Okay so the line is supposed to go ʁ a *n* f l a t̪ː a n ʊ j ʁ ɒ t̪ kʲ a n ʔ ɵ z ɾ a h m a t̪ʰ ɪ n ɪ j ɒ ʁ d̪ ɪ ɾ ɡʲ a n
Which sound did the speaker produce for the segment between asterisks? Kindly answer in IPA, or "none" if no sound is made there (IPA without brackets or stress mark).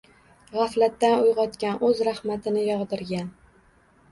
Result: none